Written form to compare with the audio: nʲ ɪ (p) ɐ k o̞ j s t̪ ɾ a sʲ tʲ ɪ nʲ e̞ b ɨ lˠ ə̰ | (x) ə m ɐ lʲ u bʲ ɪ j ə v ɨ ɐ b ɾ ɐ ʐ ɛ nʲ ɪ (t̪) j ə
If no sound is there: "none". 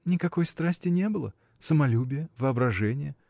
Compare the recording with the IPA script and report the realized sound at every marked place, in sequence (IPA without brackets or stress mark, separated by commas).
k, s, none